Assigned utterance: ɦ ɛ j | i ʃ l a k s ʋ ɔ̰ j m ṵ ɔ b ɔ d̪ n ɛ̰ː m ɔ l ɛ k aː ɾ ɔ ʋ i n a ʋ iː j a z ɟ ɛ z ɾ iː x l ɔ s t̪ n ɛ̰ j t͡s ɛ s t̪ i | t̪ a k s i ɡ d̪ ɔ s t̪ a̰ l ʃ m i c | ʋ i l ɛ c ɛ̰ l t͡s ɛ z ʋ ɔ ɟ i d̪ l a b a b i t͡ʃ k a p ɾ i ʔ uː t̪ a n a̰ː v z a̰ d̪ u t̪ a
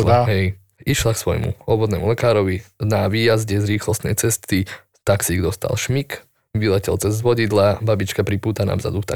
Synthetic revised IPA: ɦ ɛ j | i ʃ l a k s ʋ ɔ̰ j m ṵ ɔ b ɔ d̪ n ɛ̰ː m u l ɛ k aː ɾ ɔ ʋ i n a ʋ iː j a z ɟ ɛ z ɾ iː x l ɔ s t̪ n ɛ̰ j t͡s ɛ s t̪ i | t̪ a k s i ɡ d̪ ɔ s t̪ a̰ l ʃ m i k | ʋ i l ɛ c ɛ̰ l t͡s ɛ z ʋ ɔ ɟ i d̪ l a b a b i t͡ʃ k a p ɾ i p uː t̪ a n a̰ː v z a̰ d̪ u t̪ a